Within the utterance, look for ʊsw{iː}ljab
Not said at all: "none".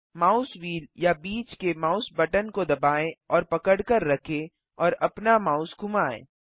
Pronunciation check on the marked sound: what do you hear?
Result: iː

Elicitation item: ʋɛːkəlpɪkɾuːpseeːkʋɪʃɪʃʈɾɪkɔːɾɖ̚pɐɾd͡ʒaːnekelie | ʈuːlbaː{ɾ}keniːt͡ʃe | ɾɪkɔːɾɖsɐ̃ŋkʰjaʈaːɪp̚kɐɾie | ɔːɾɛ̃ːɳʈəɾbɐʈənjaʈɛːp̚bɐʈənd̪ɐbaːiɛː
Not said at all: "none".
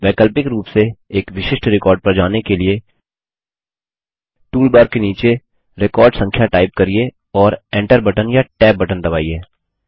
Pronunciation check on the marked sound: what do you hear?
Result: ɾ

